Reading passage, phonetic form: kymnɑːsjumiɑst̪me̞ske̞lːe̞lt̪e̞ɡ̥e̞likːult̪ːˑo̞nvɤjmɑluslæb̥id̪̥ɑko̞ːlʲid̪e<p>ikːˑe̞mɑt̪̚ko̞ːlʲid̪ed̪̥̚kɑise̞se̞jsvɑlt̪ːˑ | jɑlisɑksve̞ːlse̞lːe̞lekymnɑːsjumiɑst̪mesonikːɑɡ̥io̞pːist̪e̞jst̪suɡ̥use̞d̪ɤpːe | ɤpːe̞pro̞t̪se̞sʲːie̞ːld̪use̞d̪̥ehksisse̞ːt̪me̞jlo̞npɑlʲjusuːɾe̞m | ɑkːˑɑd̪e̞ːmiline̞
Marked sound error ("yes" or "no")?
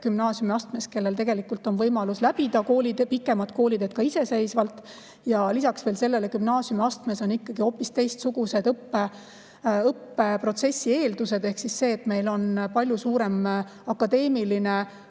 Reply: no